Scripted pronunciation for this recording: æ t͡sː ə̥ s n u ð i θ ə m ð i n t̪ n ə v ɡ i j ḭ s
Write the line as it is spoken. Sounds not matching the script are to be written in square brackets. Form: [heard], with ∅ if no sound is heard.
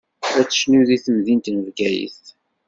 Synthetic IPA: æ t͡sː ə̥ [ʃ] n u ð i θ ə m ð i n t̪ n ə v ɡ [æ] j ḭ [θ]